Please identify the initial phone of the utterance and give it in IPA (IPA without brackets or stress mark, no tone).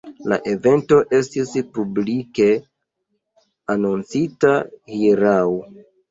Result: l